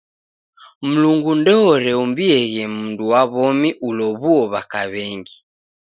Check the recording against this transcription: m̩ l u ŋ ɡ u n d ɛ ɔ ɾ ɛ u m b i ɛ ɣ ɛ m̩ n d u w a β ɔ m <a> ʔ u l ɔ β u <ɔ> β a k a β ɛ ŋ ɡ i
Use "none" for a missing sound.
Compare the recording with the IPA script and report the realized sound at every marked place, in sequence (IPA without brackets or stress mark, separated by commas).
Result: i, ɔ